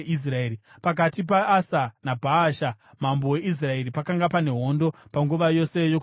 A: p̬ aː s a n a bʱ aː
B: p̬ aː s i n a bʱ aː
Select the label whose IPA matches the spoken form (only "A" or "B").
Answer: A